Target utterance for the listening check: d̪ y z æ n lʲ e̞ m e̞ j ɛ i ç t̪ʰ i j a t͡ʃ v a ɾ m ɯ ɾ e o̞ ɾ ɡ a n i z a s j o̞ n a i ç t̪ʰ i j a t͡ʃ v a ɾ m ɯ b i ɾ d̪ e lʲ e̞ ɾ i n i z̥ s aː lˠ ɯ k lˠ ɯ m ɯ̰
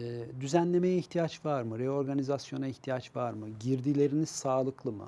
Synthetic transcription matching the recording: d̪ y z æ n lʲ e̞ m e̞ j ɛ i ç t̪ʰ i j a t͡ʃ v a ɾ m ɯ ɾ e o̞ ɾ ɡ a n i z a s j o̞ n a i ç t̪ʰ i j a t͡ʃ v a ɾ m ɯ ɟ i ɾ d̪ i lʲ e̞ ɾ i n i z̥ s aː lˠ ɯ k lˠ ɯ m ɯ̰